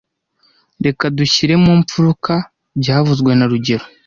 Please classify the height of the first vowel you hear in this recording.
mid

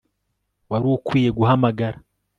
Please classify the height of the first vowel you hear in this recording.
low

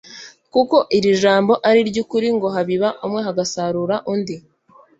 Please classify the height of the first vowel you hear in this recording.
high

